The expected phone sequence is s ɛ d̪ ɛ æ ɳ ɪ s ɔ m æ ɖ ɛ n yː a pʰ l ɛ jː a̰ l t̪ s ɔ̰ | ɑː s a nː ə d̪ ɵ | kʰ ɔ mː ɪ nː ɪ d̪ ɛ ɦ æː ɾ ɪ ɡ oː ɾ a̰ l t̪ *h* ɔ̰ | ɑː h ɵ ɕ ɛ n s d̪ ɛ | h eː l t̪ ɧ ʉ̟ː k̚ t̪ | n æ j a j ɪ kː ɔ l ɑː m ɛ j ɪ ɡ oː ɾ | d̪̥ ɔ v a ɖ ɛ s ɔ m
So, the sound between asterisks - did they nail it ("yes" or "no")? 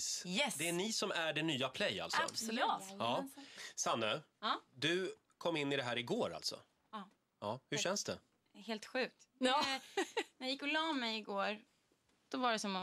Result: no